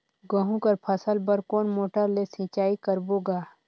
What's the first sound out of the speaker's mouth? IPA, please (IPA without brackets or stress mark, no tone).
ɡ